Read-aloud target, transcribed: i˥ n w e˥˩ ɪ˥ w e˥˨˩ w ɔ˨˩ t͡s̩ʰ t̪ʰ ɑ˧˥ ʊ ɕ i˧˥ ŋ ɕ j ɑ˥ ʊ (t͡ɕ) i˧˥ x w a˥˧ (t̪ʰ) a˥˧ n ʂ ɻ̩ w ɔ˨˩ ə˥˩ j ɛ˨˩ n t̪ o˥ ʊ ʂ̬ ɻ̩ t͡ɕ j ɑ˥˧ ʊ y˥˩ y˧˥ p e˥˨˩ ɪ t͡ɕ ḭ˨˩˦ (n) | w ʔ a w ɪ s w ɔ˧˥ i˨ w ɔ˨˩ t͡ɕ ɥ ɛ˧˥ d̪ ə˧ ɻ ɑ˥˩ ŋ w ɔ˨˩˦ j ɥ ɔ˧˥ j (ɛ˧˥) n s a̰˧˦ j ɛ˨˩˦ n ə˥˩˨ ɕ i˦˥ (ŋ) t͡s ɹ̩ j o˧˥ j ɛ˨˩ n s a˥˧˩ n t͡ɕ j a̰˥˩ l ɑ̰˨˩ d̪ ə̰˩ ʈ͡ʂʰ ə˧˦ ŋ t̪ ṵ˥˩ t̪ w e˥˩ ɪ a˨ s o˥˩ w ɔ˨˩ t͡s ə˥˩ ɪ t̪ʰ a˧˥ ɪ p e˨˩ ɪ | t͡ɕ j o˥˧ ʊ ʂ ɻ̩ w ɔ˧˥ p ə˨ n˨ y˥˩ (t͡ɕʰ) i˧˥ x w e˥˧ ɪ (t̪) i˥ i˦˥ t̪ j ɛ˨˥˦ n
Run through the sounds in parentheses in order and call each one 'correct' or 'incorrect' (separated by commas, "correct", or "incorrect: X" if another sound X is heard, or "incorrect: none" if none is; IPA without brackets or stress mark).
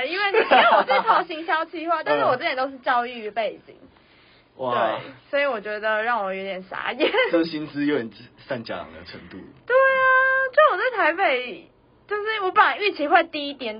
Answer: incorrect: t͡ɕʰ, incorrect: t̪, incorrect: ŋ, incorrect: ɛ˨˩, incorrect: n, correct, correct